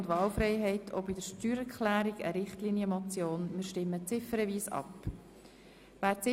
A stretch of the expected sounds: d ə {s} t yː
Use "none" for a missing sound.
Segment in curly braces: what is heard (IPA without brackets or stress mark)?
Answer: ʃ